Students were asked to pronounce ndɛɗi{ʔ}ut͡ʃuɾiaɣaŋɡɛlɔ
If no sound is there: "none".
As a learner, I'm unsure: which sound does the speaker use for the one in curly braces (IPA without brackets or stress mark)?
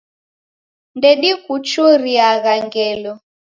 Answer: k